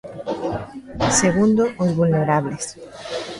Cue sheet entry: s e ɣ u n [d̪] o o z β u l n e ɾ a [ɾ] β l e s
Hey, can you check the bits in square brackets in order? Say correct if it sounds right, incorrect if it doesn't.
correct, incorrect: none

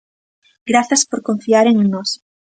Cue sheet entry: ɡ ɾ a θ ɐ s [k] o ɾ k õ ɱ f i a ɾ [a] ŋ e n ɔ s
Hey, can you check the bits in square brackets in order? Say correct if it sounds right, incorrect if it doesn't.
incorrect: p, incorrect: e

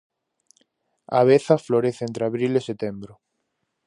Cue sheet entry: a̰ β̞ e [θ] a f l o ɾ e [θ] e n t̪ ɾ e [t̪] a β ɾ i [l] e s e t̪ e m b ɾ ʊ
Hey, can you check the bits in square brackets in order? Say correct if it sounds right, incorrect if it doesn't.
correct, correct, incorrect: none, correct

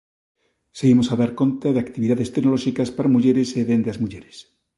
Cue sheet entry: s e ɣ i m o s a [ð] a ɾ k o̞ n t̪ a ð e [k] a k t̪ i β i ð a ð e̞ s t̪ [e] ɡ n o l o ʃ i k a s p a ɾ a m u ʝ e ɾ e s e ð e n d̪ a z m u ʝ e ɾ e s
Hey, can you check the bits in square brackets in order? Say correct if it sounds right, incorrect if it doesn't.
correct, incorrect: none, correct

